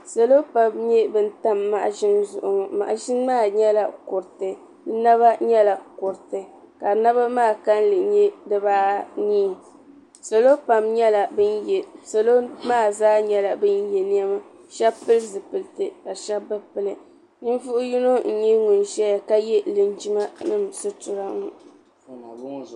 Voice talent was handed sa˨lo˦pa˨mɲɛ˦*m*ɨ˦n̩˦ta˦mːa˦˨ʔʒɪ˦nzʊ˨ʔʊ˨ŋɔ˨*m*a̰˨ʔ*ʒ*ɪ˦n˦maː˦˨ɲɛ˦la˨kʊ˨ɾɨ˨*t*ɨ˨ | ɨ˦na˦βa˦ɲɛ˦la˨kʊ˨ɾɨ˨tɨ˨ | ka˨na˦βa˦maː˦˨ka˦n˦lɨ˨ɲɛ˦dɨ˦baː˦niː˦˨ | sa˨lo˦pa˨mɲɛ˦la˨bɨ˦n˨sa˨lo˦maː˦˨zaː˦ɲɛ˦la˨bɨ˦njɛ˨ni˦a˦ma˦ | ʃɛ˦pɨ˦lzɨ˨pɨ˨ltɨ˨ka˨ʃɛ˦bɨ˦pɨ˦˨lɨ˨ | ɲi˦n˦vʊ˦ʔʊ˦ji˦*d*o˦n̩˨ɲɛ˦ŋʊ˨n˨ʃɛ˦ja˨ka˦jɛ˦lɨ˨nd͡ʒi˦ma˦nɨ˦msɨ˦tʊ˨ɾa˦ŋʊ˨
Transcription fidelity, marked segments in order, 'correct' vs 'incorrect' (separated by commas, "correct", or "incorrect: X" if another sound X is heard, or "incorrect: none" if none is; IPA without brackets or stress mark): incorrect: b, correct, correct, correct, incorrect: n